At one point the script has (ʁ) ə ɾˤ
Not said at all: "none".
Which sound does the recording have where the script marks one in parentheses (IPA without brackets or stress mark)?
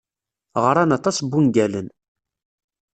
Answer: ʁ